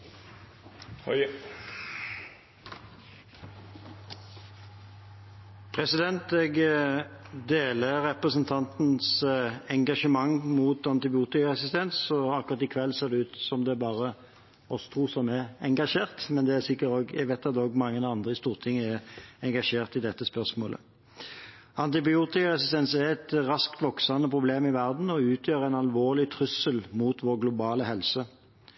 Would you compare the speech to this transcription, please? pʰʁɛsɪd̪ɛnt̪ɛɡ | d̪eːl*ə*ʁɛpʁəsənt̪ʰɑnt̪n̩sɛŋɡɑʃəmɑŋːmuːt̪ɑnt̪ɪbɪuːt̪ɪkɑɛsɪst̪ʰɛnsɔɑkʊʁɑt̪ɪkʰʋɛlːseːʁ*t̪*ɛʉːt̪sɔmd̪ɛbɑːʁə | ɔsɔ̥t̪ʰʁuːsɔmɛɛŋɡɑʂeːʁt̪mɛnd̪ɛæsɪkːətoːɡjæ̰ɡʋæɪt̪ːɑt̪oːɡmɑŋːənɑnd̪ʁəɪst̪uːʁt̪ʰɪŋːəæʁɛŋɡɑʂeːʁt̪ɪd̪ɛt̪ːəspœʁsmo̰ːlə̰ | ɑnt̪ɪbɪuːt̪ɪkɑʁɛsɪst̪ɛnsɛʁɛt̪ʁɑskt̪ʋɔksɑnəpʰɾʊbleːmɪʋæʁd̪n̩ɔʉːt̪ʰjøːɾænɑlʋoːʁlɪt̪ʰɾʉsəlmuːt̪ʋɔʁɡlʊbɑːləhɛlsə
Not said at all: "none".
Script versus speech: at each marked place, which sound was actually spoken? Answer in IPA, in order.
ə, d̪

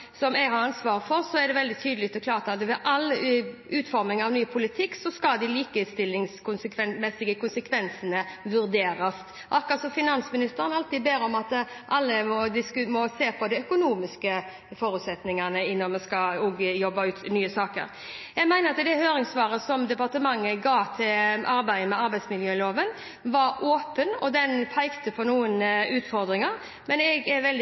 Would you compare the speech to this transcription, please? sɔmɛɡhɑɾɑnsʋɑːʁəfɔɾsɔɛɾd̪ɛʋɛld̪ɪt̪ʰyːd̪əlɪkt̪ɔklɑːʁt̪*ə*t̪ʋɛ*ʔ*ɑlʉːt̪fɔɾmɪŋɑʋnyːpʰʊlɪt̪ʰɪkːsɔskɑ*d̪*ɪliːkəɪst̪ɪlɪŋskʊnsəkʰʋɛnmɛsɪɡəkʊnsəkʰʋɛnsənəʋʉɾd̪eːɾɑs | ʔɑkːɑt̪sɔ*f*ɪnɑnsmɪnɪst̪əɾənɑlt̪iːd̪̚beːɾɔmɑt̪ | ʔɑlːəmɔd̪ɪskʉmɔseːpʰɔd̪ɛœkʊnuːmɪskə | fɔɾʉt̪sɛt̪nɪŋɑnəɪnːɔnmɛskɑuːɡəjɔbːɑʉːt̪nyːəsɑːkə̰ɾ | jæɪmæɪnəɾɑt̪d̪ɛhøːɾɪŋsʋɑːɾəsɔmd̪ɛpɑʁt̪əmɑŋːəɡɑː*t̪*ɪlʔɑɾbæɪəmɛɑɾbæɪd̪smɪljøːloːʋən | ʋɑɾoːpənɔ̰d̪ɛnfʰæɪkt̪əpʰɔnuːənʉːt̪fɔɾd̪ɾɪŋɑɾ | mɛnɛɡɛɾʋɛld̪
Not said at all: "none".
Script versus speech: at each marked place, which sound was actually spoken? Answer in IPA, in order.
ɑ, ʔ, d̪, f, t̪ʰ

